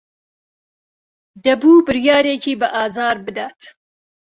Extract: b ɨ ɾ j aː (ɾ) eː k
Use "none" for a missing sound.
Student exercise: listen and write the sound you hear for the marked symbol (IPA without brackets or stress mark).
ɾ